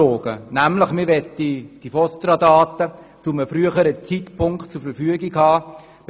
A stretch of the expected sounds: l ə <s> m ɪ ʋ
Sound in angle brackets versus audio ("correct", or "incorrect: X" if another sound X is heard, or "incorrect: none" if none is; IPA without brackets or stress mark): incorrect: χ